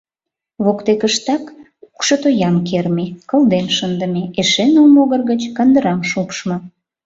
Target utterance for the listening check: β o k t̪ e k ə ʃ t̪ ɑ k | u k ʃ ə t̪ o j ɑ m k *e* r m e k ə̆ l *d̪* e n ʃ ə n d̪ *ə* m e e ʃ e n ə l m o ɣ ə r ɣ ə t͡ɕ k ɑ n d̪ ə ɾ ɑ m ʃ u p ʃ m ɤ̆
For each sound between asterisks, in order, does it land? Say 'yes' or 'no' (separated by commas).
yes, yes, yes